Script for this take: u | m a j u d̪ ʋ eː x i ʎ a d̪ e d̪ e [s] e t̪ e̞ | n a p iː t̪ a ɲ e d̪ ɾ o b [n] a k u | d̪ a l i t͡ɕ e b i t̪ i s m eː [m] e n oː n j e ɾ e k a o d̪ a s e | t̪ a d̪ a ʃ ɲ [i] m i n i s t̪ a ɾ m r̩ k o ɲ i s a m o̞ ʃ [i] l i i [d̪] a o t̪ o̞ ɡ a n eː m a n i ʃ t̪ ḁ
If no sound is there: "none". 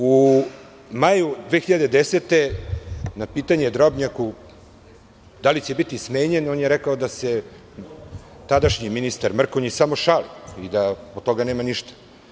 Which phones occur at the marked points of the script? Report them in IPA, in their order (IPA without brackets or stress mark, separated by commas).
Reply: s, ɲ, ɲ, i, a, d̪